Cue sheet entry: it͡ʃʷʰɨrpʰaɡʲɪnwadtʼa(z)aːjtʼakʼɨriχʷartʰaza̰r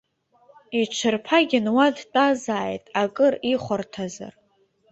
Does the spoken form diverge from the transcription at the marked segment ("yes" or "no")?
no